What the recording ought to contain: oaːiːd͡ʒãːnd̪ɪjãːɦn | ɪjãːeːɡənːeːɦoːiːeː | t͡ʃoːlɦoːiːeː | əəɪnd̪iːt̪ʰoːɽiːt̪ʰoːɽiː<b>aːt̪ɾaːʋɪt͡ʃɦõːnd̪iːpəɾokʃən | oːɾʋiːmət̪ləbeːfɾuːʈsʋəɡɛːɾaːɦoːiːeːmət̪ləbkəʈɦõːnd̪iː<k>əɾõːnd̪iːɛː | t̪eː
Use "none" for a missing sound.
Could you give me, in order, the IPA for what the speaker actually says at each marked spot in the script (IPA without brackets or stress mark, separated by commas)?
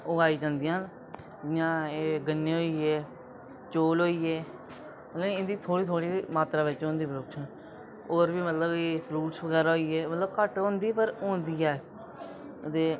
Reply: m, p